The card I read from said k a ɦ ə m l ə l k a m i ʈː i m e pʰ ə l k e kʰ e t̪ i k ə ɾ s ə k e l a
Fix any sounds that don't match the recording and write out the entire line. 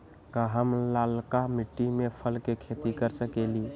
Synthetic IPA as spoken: k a ɦ ə m l a l k a m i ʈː i m e pʰ ə l k e kʰ e t̪ i k ə ɾ s ə k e l i